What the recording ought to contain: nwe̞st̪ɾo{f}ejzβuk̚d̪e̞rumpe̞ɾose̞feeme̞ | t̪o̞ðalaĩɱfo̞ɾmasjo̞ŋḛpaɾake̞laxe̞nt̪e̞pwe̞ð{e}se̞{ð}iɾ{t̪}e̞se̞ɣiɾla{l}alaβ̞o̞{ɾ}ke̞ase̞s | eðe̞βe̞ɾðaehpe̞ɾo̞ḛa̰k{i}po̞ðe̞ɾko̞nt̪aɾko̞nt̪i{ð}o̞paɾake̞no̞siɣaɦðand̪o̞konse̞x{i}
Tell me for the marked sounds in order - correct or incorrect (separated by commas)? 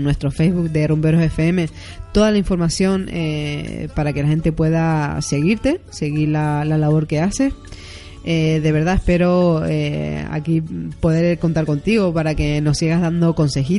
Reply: correct, incorrect, incorrect, correct, correct, correct, correct, incorrect, correct